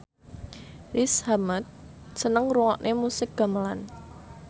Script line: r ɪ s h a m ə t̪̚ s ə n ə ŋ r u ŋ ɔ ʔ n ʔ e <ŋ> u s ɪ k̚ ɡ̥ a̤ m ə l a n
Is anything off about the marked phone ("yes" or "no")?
yes